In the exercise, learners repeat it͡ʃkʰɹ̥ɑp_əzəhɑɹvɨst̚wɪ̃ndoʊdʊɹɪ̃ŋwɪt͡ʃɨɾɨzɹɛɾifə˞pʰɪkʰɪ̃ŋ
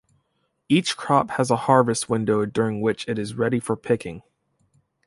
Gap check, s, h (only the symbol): h